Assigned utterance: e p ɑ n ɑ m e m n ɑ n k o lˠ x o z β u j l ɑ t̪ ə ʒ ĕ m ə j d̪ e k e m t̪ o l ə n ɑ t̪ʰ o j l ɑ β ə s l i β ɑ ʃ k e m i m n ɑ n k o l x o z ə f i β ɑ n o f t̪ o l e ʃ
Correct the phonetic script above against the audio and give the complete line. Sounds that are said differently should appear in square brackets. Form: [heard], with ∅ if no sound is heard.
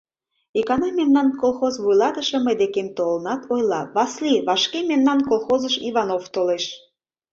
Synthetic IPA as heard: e [k] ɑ n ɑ m e m n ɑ n k o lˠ x o z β u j l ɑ t̪ ə [ʃ] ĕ m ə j d̪ e k e m t̪ o l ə n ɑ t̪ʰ o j l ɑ β [ɑ] s l i β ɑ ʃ k e m [e] m n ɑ n k o l x o z ə [ʃ] i β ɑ n o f t̪ o l e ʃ

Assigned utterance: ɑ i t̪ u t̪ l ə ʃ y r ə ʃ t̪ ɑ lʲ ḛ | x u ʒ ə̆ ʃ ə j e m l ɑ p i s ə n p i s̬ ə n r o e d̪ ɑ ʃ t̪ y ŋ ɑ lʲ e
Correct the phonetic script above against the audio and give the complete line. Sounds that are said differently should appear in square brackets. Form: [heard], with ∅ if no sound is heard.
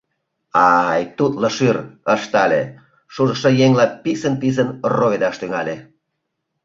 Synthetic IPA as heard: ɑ [j] t̪ u t̪ l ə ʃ y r ə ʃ t̪ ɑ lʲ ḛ | [ʃ] u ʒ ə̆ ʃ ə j e [ŋ] l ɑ p i s ə n p i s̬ ə n r o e d̪ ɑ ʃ t̪ y ŋ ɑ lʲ e

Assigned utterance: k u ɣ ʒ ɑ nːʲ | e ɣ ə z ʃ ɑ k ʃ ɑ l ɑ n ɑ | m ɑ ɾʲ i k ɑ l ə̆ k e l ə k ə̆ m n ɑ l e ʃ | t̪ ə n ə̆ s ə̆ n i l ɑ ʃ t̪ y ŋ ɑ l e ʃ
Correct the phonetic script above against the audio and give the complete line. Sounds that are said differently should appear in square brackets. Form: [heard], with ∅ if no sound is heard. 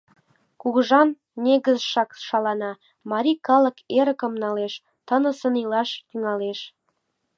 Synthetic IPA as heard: k u ɣ ʒ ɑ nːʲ | e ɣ ə z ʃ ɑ k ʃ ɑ l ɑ n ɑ | m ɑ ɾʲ i k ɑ l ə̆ k e [ɾ] ə k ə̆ m n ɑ l e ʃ | t̪ ə n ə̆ s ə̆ n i l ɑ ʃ t̪ y ŋ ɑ l e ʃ

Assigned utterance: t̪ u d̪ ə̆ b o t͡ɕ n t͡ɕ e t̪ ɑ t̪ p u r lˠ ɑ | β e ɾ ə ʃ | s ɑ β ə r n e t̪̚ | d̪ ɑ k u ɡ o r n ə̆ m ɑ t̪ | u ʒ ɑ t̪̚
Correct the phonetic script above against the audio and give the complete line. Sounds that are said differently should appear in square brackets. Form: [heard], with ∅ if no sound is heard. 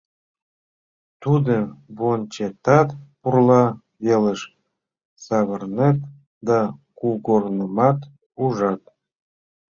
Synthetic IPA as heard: t̪ u d̪ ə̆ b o [∅] n t͡ɕ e t̪ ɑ t̪ p u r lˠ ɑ | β e [l] ə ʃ | s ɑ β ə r n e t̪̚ | d̪ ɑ k u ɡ o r n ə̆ m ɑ t̪ | u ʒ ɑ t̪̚

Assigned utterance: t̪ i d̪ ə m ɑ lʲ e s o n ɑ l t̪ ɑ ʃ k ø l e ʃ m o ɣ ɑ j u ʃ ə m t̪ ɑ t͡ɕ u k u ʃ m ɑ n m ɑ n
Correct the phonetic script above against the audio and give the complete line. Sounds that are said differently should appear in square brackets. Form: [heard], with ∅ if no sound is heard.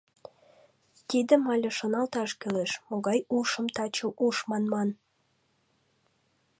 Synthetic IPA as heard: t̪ i d̪ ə m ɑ lʲ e [ʃ] o n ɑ l t̪ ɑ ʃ k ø l e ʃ m o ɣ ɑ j u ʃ ə m t̪ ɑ t͡ɕ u [ʔ] u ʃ m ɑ n m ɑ n

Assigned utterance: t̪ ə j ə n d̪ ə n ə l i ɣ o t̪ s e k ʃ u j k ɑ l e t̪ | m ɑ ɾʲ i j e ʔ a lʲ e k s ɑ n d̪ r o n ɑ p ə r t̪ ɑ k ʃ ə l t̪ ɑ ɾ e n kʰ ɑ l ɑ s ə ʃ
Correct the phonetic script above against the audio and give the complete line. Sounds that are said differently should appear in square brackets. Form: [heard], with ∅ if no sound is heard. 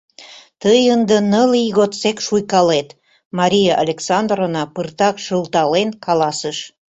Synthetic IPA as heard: t̪ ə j ə n d̪ ə n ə l i ɣ o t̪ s e k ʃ u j k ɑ l e t̪ | m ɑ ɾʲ i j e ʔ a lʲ e k s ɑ n d̪ r o n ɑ p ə r t̪ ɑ k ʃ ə l t̪ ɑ [l] e n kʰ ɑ l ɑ s ə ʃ

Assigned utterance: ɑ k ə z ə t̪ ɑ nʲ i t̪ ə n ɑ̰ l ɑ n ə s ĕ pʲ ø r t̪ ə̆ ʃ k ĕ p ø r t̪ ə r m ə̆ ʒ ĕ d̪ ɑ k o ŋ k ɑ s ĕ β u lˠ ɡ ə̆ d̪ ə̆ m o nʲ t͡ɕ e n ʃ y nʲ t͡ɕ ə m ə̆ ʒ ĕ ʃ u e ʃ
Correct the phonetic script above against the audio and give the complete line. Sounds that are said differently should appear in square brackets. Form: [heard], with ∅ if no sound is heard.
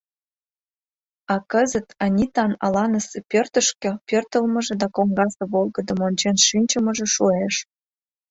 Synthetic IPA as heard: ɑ k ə z ə t̪ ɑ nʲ i t̪ [ɑ] n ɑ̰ l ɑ n ə s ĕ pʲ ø r t̪ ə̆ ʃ k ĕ p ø r t̪ ə [l] m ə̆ ʒ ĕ d̪ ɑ k o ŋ [ɡ] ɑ s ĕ β [o] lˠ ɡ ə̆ d̪ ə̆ m o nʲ t͡ɕ e n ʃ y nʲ t͡ɕ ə m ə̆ ʒ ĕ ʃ u e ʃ

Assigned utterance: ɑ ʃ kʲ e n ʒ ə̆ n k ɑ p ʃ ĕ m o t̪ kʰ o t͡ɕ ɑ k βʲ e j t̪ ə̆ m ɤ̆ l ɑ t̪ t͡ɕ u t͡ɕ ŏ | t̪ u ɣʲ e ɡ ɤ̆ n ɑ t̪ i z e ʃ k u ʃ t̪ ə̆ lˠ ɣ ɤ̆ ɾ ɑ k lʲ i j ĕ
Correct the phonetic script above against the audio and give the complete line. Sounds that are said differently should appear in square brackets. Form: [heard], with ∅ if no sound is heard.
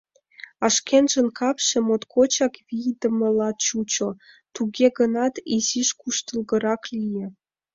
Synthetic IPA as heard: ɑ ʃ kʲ e n ʒ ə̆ n k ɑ p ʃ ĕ m o t̪ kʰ o t͡ɕ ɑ k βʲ [i] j [d̪] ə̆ m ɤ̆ l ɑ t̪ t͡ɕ u t͡ɕ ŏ | t̪ u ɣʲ e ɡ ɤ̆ n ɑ t̪ i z [i] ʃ k u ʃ t̪ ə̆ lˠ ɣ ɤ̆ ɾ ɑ k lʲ i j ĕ

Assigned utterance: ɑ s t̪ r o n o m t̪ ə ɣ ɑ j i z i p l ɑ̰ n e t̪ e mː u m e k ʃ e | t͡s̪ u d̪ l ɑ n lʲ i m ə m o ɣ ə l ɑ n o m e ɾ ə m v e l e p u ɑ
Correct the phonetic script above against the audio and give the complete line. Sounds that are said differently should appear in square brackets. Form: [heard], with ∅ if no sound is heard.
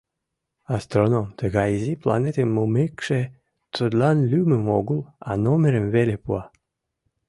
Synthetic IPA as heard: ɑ s t̪ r o n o m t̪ ə ɣ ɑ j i z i p l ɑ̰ n e t̪ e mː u m e k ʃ e | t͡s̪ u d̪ l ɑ n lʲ [y] m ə m o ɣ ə l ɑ n o m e ɾ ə m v e l e p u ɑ

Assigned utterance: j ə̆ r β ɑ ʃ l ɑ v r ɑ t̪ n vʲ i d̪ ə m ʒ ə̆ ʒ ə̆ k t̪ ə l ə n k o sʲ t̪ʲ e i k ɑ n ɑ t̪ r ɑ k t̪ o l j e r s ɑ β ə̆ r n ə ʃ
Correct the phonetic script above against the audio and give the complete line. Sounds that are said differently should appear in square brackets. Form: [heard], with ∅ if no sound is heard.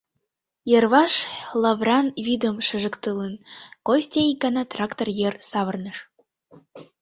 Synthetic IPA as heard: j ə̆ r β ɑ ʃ l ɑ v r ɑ [∅] n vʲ i d̪ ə m [ʃ] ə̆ ʒ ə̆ k t̪ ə l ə n k o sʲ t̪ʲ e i k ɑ n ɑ t̪ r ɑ k t̪ o [r] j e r s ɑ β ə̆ r n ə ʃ

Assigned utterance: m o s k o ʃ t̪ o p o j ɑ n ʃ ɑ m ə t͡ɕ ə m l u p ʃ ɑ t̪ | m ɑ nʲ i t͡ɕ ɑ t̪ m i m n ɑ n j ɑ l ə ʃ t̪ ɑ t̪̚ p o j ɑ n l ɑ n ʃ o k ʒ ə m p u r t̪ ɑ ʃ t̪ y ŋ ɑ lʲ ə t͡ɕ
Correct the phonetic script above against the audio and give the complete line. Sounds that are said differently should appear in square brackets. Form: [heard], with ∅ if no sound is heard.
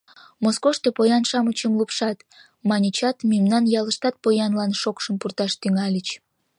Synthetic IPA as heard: m o s k o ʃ t̪ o p o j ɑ n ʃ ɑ m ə t͡ɕ ə m l u p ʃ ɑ t̪ | m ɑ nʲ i t͡ɕ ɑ t̪ m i m n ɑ n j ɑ l ə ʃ t̪ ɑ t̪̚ p o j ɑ n l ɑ n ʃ o k [ʃ] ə m p u r t̪ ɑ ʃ t̪ y ŋ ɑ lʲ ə t͡ɕ

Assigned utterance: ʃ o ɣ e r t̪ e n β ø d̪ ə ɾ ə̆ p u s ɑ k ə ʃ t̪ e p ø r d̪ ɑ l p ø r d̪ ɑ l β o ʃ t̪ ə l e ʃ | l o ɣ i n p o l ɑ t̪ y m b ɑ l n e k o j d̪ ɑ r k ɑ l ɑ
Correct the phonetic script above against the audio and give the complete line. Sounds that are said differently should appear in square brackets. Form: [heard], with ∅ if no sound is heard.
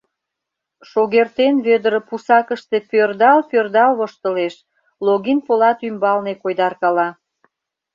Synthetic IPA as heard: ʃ o ɣ e r t̪ e n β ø d̪ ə ɾ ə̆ p u s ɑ k ə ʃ t̪ e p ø r d̪ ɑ l p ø r d̪ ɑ l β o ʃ t̪ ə l e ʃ | l o ɣ i n p o l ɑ t̪ y m b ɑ l n e k o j d̪ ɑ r k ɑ l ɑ

